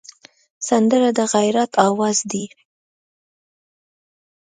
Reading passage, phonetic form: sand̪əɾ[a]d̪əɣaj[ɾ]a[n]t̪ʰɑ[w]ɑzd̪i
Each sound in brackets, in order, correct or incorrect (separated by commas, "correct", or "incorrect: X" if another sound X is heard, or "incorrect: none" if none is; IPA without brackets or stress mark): correct, correct, incorrect: none, correct